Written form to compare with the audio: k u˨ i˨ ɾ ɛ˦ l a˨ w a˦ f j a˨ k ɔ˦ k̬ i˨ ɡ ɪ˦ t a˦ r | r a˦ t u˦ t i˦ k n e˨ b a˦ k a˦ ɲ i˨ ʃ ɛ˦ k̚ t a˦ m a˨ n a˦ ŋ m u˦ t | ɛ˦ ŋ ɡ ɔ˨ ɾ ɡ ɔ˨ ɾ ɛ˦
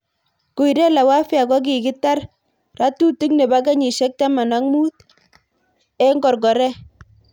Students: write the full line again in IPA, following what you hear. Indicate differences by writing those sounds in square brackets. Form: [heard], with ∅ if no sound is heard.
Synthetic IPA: k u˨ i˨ ɾ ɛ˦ l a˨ w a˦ f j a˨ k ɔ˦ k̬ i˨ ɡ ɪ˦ t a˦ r | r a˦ t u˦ t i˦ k n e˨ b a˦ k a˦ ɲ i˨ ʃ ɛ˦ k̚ t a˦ m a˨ n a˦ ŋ m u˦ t | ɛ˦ ŋ ɡ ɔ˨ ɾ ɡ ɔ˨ ɾ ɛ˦